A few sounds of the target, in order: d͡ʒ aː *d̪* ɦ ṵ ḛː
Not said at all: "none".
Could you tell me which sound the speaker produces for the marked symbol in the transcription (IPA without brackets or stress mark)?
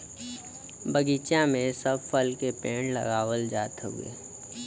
t̪